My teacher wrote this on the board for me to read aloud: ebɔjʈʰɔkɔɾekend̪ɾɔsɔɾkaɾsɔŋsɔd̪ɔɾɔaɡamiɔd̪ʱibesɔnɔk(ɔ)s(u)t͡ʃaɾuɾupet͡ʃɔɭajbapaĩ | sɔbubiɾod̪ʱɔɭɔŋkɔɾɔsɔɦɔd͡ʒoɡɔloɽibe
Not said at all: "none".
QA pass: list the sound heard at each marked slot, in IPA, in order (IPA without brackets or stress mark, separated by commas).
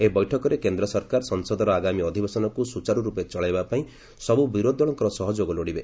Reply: u, u